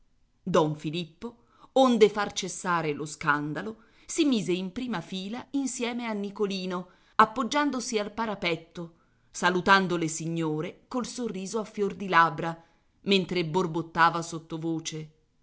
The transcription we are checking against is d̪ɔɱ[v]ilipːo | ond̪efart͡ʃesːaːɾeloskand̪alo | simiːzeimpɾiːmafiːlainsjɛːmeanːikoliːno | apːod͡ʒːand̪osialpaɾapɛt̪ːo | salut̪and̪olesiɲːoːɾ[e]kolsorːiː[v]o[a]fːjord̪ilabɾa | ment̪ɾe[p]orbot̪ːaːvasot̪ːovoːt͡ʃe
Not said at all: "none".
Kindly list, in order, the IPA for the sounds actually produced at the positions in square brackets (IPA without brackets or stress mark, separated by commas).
f, e, z, a, b